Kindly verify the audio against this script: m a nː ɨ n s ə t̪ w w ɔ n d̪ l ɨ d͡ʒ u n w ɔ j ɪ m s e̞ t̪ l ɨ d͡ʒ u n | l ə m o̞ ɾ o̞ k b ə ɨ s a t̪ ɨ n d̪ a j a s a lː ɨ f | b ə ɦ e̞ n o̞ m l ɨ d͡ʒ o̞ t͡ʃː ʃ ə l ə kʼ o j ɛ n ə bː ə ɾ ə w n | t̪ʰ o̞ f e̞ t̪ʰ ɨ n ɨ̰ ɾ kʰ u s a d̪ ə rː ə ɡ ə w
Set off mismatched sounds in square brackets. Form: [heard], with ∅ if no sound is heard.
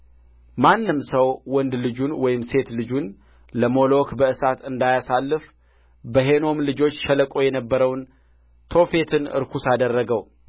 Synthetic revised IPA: m a nː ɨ [m] s ə [∅] w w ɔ n d̪ l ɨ d͡ʒ u n w ɔ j ɪ m s e̞ t̪ l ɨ d͡ʒ u n | l ə m o̞ [l] o̞ k b ə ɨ s a t̪ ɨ n d̪ a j a s a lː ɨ f | b ə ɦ e̞ n o̞ m l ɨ d͡ʒ o̞ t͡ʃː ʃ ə l ə kʼ o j ɛ n ə bː ə ɾ ə w n | t̪ʰ o̞ f e̞ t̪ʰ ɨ n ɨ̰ ɾ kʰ u s a d̪ ə rː ə ɡ ə w